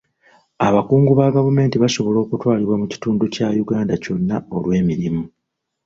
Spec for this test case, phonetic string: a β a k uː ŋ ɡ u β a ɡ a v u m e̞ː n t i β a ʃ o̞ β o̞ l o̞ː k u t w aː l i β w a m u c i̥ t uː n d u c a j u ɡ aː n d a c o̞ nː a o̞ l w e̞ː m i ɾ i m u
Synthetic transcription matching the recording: a β a k uː ŋ ɡ u β a ɡ a v u m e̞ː n t i β a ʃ o̞ β o̞ l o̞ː k u t w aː l i β w a m u c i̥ t uː n d u c a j u ɡ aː n d a c o̞ nː a o̞ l w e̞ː m i ɾ i m u

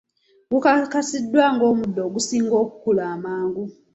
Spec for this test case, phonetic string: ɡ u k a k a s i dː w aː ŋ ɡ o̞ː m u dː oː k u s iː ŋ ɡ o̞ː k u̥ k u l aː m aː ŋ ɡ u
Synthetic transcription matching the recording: ɡ u k a k a s i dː w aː ŋ ɡ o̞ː m u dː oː ɡ u s iː ŋ ɡ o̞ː k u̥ k u l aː m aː ŋ ɡ u

